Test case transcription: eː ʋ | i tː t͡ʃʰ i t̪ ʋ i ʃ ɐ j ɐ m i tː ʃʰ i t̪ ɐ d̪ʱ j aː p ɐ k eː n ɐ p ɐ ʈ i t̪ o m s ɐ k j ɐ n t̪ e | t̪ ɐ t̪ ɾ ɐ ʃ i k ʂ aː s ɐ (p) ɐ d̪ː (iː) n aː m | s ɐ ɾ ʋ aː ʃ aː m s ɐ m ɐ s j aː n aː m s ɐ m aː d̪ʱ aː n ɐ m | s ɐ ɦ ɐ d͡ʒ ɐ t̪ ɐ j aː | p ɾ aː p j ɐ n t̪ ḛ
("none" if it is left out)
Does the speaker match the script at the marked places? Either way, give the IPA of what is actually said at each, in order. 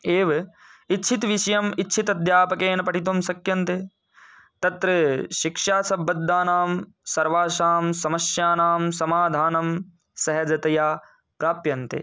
b, aː

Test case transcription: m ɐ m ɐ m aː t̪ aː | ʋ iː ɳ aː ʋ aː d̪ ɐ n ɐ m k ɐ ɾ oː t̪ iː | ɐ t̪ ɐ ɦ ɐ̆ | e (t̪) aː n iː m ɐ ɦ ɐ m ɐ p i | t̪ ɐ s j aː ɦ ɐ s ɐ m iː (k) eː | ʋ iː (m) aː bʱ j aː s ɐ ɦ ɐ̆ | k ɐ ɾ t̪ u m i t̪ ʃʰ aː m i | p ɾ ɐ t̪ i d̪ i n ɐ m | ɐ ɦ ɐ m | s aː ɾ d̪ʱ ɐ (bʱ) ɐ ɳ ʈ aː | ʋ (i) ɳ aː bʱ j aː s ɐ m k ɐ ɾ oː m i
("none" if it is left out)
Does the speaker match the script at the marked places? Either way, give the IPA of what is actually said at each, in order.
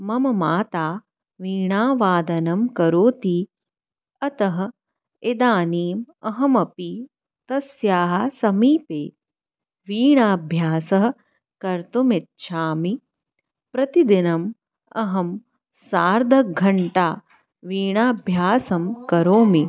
d̪, p, ɳ, ɡʱ, iː

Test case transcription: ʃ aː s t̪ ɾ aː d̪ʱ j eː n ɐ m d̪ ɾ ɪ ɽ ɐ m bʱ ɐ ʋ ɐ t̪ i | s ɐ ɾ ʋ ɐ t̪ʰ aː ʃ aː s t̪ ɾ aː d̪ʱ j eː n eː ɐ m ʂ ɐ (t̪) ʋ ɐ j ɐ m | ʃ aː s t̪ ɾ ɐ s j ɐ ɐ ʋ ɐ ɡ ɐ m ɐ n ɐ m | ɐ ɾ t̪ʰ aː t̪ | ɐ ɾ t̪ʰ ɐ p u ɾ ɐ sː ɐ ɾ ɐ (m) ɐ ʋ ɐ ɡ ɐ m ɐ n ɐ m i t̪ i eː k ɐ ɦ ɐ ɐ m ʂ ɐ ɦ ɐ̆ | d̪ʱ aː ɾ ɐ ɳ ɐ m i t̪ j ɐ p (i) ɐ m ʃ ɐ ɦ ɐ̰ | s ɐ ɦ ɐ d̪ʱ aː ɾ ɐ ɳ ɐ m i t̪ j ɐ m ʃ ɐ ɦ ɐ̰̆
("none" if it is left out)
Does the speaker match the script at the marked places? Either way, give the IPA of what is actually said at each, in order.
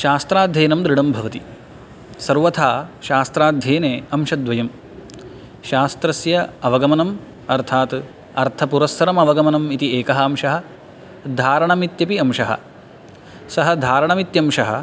d̪, m, i

